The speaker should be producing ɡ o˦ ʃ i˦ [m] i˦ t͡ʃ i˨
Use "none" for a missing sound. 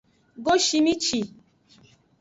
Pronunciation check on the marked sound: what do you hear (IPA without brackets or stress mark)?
m